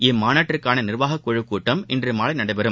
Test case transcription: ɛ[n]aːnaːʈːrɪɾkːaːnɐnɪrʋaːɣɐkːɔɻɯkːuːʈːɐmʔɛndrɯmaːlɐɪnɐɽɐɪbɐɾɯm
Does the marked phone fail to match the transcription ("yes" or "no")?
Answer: yes